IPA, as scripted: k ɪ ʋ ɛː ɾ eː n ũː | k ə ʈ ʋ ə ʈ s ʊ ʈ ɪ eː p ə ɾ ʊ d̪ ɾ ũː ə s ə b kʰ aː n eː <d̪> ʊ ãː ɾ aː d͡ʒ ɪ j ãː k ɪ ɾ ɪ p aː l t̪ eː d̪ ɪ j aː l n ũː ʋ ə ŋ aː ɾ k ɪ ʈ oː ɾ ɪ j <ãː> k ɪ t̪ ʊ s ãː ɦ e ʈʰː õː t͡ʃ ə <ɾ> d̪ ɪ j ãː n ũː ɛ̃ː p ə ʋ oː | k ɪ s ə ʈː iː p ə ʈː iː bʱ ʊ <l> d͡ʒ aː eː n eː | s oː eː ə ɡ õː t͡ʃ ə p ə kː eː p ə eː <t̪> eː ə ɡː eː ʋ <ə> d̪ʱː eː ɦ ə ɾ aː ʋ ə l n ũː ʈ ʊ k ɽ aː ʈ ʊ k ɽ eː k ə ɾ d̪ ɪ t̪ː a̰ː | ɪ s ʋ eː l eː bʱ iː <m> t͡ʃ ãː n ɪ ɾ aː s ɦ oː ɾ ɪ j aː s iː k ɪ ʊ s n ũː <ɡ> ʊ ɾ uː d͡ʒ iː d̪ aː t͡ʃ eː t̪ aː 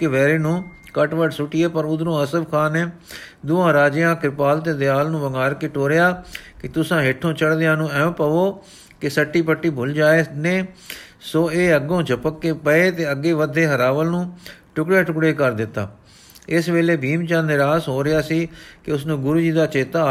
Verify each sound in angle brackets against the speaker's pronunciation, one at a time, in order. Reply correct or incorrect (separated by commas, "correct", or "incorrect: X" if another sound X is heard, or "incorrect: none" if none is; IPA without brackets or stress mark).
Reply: correct, incorrect: aː, incorrect: ɽ, correct, correct, correct, correct, correct